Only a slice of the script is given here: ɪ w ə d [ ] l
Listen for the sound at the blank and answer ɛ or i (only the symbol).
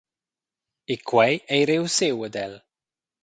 ɛ